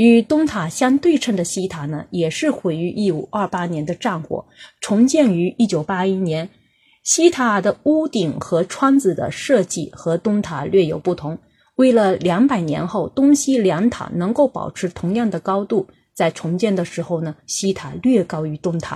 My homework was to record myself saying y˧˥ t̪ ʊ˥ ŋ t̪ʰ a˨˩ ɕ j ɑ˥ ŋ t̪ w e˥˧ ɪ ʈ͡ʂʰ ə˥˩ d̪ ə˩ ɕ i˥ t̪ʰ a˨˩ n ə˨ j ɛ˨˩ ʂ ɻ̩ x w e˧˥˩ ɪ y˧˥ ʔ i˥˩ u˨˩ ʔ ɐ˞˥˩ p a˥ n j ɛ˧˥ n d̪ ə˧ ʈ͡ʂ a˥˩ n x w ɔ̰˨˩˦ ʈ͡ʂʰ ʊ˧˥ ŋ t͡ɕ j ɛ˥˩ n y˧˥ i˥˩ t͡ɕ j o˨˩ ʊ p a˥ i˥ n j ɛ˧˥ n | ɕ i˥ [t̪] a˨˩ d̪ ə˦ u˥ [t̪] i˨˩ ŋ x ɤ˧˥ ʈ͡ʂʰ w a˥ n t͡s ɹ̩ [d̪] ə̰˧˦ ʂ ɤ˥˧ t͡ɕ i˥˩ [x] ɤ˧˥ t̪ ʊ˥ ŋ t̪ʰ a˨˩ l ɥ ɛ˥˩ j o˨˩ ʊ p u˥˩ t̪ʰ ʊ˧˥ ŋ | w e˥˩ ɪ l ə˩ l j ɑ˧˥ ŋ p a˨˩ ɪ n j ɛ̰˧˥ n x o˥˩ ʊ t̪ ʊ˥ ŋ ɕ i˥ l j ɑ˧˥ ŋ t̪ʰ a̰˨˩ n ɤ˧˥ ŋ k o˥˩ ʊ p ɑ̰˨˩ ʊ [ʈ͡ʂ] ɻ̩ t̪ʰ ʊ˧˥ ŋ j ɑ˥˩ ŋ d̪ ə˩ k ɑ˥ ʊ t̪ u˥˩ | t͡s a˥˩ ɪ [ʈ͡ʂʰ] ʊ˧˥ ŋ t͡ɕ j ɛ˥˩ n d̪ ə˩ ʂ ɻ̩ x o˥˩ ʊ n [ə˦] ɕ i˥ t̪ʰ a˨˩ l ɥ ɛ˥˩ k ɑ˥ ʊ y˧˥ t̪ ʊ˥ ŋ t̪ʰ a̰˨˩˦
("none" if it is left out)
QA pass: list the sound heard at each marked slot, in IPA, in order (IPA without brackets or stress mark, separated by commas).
t̪ʰ, t̪, d̪, x, ʈ͡ʂʰ, ʈ͡ʂʰ, ə˩